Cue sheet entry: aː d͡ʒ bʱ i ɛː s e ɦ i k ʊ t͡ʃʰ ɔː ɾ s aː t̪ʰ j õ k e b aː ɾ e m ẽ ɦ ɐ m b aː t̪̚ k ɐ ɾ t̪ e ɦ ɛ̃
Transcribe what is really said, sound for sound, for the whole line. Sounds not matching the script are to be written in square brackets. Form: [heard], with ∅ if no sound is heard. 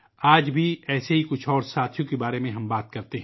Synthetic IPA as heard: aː d͡ʒ bʱ i ɛː s e ɦ i k ʊ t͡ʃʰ ɔː ɾ s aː t̪ʰ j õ k e b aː ɾ e m ẽ ɦ ɐ m b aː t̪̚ k ɐ ɾ t̪ e ɦ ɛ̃